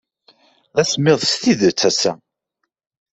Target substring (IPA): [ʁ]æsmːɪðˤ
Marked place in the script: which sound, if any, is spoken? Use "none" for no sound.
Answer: ð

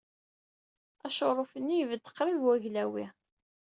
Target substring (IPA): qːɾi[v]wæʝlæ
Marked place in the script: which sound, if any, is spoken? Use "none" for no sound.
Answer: v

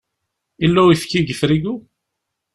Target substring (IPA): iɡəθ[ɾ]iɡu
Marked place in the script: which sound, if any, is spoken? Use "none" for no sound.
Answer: ɾ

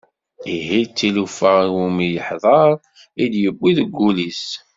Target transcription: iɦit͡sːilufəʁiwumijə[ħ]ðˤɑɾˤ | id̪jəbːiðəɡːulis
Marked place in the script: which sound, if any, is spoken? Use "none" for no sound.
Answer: ħ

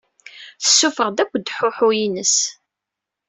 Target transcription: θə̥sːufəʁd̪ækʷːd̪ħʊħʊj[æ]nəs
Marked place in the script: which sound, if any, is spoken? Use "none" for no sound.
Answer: i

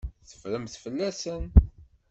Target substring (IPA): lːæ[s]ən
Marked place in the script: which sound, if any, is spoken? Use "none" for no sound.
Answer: s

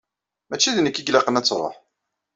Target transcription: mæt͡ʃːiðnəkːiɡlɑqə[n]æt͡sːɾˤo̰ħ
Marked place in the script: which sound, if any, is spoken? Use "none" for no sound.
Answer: n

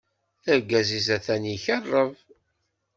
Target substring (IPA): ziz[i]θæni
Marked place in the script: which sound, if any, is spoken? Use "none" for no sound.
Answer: æ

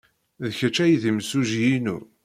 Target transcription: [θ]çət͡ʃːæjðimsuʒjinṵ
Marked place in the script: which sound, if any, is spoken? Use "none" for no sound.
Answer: ð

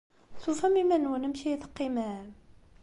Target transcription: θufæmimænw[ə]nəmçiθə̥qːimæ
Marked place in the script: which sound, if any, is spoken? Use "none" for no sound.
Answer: ə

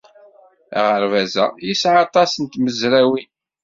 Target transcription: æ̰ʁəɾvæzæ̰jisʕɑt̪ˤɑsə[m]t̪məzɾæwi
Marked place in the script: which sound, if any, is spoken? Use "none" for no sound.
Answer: n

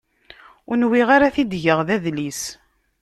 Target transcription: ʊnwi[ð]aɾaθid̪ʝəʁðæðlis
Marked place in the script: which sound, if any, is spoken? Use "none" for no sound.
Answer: ʁ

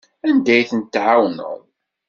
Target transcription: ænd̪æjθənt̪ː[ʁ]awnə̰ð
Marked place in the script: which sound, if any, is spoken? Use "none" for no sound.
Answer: ʕ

